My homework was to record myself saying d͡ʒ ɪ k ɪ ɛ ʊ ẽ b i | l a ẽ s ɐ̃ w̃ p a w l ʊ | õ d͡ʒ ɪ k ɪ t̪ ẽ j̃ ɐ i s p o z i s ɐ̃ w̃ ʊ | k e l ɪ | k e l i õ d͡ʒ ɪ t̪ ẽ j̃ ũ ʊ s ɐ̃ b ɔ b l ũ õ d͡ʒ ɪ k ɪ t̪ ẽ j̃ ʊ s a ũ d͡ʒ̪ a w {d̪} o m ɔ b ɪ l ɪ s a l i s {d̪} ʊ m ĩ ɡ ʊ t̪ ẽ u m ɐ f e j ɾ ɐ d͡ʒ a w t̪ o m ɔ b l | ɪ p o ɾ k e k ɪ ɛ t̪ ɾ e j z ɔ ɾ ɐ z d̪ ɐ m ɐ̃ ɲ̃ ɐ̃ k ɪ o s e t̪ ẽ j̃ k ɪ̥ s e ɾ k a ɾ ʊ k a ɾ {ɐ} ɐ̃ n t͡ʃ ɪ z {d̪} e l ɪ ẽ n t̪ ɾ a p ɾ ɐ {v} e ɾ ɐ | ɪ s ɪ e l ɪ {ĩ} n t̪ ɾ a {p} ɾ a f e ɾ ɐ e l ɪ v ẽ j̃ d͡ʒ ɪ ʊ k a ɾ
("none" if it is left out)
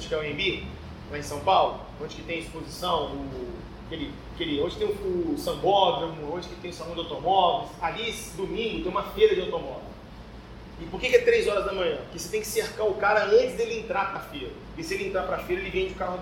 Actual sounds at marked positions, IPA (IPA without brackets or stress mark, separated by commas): t̪, d̪, ɐ, d̪, f, ẽ, p